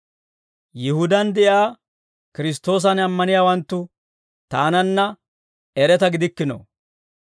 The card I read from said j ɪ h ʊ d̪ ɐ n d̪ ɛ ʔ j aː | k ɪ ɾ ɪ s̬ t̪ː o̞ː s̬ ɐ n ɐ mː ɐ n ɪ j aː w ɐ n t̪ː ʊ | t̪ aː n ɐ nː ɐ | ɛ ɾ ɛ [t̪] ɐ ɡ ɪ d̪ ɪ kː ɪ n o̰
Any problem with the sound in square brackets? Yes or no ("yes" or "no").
no